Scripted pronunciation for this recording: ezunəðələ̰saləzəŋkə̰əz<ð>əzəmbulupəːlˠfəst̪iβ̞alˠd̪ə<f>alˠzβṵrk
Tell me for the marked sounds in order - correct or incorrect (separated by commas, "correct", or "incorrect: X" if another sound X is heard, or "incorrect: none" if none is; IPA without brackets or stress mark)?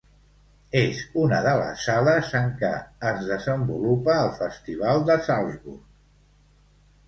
correct, incorrect: s